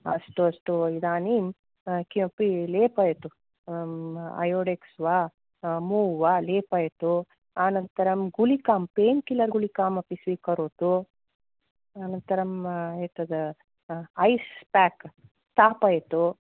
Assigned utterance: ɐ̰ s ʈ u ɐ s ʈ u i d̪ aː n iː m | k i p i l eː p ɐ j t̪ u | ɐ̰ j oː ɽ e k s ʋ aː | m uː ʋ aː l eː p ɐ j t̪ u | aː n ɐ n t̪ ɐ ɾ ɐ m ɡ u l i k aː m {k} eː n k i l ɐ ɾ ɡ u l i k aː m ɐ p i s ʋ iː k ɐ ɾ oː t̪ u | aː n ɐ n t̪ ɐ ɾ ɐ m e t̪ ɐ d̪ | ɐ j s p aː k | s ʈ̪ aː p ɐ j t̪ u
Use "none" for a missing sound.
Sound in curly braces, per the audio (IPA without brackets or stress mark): p